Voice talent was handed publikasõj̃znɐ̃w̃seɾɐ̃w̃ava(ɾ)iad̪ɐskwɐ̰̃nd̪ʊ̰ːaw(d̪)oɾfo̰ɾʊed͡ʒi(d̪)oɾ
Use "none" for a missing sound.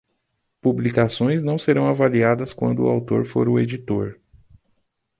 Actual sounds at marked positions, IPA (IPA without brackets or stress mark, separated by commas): l, t̪, t̪